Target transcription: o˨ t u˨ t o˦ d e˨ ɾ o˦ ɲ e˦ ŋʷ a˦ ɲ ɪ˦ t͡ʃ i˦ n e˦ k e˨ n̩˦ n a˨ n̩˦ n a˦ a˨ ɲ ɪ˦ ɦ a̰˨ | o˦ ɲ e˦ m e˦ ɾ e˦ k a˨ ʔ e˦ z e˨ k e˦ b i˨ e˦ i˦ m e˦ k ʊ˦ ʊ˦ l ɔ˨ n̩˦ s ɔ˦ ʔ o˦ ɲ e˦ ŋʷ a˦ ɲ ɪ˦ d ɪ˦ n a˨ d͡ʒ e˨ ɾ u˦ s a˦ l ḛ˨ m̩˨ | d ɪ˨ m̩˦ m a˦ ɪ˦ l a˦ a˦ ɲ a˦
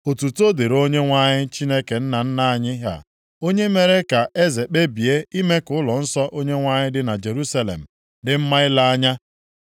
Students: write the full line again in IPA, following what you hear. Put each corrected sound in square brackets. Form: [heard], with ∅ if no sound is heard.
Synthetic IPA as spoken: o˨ t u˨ t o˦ d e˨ ɾ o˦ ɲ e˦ ŋʷ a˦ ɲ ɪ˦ t͡ʃ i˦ n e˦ k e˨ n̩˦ n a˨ n̩˦ n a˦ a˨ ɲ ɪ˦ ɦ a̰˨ | o˦ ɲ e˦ m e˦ ɾ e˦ k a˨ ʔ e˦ z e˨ [k͡p] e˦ b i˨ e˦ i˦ m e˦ k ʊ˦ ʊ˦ l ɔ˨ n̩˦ s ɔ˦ ʔ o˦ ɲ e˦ ŋʷ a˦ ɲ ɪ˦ d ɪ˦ n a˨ d͡ʒ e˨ ɾ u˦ s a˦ l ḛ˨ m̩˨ | d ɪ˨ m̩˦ m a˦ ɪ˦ l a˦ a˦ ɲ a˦